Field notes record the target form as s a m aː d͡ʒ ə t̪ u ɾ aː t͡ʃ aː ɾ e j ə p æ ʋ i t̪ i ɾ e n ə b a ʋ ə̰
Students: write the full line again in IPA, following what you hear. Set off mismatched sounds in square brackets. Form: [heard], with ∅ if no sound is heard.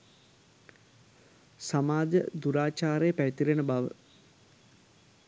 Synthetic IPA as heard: s a m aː d͡ʒ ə [d̪] u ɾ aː t͡ʃ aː ɾ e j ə p æ ʋ i t̪ i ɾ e n ə b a ʋ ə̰